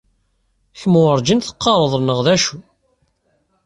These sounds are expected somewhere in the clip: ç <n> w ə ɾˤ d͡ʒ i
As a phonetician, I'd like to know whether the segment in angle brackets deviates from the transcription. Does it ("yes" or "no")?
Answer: yes